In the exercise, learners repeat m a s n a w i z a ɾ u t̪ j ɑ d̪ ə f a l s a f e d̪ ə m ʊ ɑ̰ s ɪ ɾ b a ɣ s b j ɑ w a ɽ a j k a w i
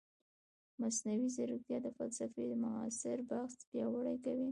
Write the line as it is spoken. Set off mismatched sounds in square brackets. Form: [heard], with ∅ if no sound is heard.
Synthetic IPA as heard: m a s n a w i z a ɾ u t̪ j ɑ d̪ ə f a l s a f e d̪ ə m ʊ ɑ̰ s ɪ ɾ b a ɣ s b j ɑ w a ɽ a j k a w i